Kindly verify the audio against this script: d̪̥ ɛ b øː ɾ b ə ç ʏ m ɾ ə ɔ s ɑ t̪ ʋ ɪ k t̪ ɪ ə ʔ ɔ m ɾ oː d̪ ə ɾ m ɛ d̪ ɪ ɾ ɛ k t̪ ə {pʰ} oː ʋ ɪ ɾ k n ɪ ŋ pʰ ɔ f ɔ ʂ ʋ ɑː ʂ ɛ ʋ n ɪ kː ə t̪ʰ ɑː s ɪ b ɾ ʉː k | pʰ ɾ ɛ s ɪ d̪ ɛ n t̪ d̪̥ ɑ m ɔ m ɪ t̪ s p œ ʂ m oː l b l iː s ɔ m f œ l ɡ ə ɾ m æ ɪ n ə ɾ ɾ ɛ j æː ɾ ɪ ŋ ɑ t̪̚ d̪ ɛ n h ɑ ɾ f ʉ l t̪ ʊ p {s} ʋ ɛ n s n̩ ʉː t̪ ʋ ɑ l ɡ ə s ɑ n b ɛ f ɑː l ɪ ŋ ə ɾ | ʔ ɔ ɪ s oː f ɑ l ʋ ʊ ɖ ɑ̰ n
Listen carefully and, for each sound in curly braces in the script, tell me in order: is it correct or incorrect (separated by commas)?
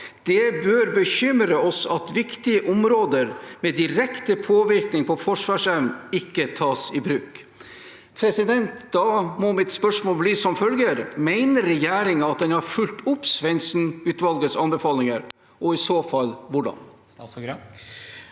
correct, correct